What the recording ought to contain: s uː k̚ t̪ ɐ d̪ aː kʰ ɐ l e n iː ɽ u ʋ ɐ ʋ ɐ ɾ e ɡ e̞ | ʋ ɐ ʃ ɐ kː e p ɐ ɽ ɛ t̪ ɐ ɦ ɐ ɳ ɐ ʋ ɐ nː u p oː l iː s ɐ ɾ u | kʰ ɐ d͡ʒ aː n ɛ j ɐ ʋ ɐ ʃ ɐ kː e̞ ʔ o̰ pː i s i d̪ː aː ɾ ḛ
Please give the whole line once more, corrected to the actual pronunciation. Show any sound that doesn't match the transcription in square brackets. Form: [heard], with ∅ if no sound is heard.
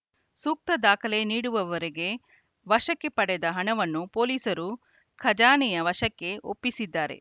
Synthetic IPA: s uː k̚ t̪ ɐ d̪ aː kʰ ɐ l e n iː ɽ u ʋ ɐ ʋ ɐ ɾ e ɡ e̞ | ʋ ɐ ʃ ɐ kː e p ɐ ɽ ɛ [d̪] ɐ ɦ ɐ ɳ ɐ ʋ ɐ nː u p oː l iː s ɐ ɾ u | kʰ ɐ d͡ʒ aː n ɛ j ɐ ʋ ɐ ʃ ɐ kː e̞ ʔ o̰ pː i s i d̪ː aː ɾ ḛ